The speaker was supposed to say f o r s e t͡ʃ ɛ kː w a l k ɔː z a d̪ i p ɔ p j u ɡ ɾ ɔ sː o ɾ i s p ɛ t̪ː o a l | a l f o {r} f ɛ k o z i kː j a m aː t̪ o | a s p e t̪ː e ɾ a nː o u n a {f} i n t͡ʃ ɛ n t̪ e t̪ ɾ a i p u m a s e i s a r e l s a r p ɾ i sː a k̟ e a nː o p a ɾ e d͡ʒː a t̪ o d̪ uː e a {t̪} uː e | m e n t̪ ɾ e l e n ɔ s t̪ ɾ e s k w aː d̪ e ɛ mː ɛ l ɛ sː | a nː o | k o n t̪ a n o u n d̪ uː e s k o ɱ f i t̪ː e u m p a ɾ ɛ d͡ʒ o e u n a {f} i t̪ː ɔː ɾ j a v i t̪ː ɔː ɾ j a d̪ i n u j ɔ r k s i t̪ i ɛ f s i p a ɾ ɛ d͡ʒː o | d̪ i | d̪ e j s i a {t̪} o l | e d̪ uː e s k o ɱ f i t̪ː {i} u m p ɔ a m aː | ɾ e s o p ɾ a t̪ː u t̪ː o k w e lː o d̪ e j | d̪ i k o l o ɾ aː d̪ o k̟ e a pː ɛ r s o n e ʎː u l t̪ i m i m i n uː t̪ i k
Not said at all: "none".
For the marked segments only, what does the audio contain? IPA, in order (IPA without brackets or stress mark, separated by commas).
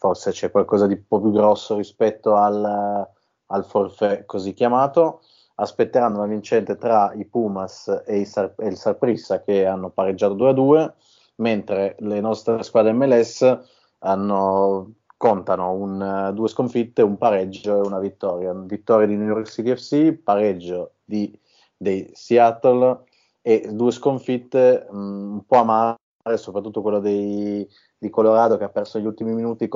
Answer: r, v, d̪, v, t̪, e